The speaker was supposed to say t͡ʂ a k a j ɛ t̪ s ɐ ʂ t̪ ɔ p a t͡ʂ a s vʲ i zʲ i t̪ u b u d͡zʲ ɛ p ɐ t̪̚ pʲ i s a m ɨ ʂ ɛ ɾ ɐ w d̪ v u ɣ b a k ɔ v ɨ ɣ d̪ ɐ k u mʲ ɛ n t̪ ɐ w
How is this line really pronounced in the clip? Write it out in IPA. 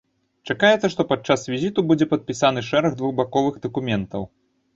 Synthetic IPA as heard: t͡ʂ a k a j ɛ t̪ s ɐ ʂ t̪ ɔ p a t͡ʂ a s vʲ i zʲ i t̪ u b u d͡zʲ ɛ p ɐ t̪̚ pʲ i s a n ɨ ʂ ɛ ɾ ɐ ɣ d̪ v u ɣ b a k ɔ v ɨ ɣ d̪ ɐ k u mʲ ɛ n t̪ ɐ w